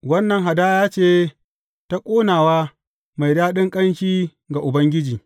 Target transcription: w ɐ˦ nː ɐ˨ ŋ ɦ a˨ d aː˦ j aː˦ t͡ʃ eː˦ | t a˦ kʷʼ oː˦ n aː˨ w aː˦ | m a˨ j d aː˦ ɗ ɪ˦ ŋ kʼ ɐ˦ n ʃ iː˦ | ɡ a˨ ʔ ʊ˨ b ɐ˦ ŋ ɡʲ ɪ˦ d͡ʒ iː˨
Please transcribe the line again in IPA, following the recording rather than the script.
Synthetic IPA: w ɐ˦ nː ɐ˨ ŋ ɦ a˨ d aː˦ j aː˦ t͡ʃ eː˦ | t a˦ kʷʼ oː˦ n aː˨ w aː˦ | m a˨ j d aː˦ ɗ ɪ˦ ŋ kʼ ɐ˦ n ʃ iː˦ | ɡ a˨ ʔ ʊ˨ b ɐ˦ ŋ ɡʲ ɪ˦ d͡ʒ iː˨